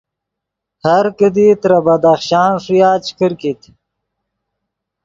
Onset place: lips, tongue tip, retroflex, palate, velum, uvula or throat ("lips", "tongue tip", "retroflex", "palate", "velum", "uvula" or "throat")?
throat